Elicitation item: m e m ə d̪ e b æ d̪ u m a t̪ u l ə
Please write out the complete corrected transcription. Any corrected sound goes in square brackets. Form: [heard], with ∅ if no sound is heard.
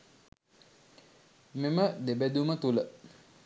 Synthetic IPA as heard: m e m ə d̪ e b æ d̪ u m [ə] t̪ u l ə